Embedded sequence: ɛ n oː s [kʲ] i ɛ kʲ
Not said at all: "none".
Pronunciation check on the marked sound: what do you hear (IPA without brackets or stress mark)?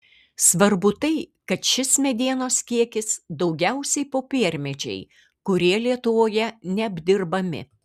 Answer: kʲ